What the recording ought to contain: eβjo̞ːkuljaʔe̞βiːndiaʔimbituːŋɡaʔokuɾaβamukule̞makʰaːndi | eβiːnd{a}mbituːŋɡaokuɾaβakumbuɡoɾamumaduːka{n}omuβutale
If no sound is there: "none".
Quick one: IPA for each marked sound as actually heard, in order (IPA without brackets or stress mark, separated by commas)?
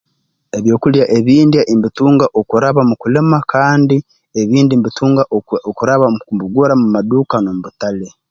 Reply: i, n